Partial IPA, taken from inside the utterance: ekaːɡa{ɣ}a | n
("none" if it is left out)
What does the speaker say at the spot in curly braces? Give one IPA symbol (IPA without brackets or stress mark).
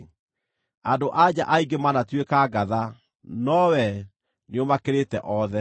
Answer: ð